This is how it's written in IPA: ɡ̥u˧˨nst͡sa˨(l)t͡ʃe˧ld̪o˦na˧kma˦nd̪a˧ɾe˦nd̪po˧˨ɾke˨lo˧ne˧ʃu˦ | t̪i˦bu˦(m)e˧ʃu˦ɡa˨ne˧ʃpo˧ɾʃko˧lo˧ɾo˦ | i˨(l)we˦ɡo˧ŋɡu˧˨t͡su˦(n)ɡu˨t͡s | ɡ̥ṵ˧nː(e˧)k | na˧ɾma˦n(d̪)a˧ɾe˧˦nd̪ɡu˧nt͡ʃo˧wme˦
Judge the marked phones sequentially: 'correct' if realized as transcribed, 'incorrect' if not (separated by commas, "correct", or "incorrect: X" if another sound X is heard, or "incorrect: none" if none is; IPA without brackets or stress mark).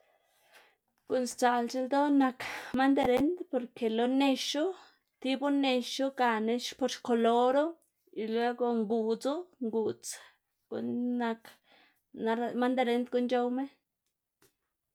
correct, incorrect: n, correct, incorrect: ŋ, incorrect: a˧, correct